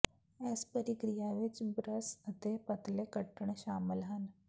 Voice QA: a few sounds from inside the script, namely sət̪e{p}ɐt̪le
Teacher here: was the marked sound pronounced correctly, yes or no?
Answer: yes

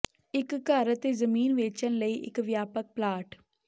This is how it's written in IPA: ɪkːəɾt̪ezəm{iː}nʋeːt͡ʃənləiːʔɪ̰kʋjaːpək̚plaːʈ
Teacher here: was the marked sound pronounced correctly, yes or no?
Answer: yes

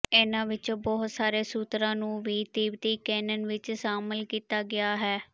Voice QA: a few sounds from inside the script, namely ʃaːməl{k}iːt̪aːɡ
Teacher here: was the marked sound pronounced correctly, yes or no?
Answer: yes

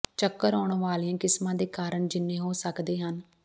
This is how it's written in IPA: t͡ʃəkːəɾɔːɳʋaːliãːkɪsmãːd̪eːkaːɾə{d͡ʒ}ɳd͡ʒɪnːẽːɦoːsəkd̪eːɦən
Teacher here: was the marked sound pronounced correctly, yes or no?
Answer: no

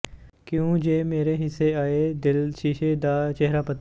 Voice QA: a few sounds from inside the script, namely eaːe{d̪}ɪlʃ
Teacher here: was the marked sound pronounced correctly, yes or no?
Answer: yes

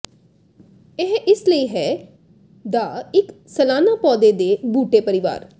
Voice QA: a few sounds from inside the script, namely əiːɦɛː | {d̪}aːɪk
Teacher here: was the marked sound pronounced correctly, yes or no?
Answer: yes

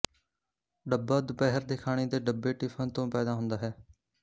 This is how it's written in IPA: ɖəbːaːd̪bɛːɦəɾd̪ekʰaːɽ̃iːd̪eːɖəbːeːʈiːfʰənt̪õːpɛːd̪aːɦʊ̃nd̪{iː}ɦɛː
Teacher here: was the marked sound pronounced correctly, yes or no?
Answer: no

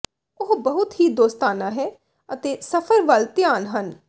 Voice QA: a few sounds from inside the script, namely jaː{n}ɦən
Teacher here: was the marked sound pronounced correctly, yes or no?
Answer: yes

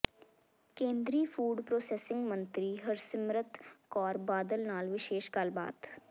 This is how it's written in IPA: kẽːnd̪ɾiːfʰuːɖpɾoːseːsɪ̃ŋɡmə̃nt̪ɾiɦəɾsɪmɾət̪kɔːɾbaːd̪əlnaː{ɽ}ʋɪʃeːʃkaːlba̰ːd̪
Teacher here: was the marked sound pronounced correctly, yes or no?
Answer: no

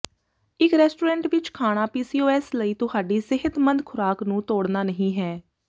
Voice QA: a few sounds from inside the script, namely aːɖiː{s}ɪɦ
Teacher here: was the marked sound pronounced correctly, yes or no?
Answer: yes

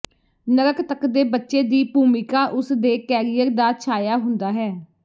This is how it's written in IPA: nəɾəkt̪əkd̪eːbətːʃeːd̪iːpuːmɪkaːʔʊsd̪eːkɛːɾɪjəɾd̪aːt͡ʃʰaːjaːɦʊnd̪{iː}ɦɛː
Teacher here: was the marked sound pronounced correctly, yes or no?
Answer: no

